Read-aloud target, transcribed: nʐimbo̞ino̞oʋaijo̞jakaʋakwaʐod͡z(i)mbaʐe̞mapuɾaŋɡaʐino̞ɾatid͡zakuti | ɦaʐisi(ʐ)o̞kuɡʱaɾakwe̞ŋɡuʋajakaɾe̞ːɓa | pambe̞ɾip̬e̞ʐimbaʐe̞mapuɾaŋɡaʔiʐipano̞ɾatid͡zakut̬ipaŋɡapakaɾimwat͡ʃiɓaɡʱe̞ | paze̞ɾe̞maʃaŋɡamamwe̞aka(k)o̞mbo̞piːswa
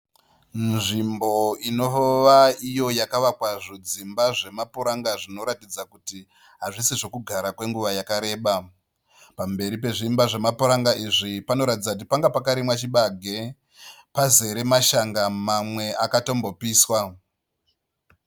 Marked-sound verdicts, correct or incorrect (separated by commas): correct, correct, incorrect